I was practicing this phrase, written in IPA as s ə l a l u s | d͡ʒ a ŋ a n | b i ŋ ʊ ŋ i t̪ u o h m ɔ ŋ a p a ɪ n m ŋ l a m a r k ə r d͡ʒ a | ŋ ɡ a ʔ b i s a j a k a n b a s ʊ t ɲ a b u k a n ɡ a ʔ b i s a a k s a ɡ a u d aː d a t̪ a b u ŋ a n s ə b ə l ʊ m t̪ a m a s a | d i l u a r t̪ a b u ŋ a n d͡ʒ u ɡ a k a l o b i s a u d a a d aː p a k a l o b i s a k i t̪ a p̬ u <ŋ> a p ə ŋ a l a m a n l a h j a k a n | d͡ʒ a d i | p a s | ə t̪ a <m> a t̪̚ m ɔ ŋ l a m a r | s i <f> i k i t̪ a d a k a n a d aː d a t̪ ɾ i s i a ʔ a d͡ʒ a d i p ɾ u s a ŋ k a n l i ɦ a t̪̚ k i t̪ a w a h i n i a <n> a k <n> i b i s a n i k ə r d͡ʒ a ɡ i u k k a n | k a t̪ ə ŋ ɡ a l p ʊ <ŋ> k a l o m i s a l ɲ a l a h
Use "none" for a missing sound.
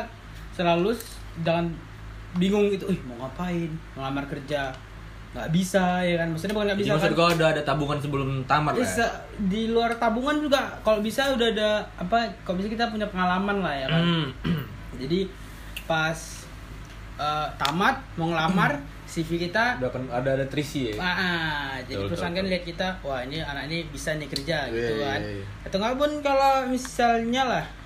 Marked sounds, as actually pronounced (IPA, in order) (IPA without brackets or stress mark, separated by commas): ɲ, m, f, n, n, n